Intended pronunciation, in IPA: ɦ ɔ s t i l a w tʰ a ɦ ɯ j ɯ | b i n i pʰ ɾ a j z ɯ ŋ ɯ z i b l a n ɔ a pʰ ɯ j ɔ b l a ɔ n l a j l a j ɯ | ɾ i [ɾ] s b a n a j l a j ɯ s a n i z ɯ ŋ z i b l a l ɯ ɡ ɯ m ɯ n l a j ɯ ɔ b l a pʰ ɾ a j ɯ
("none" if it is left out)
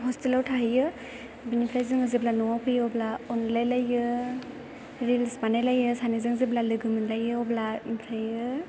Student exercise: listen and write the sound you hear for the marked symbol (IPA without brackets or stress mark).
l